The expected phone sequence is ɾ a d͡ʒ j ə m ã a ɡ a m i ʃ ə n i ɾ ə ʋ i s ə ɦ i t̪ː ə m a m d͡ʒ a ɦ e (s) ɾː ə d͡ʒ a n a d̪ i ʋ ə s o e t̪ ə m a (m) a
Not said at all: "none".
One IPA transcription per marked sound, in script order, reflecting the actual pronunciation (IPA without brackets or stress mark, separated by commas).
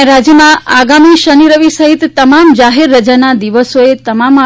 none, m